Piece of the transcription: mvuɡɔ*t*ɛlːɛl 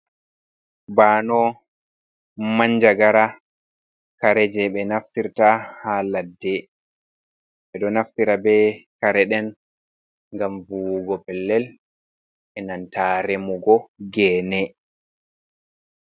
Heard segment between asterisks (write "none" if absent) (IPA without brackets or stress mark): p